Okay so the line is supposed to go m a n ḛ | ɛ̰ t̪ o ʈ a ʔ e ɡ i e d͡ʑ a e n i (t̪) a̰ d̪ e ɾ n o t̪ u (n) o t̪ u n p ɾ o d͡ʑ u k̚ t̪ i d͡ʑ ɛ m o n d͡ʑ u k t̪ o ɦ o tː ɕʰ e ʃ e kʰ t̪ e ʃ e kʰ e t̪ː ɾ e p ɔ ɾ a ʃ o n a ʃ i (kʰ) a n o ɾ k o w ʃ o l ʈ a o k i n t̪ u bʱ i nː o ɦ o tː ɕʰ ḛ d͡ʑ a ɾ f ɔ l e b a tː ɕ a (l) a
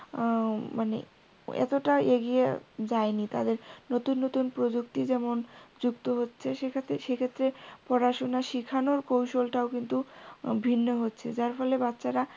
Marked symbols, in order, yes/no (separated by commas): yes, no, yes, no